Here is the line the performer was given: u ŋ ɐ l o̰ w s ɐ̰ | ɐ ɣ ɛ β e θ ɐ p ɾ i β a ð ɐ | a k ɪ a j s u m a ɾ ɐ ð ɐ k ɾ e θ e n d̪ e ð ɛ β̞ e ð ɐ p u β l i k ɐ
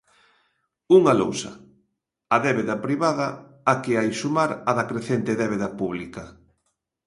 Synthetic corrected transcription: u ŋ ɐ l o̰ w s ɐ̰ | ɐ ð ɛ β e ð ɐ p ɾ i β a ð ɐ | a k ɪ a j s u m a ɾ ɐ ð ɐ k ɾ e θ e n t̪ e ð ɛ β̞ e ð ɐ p u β l i k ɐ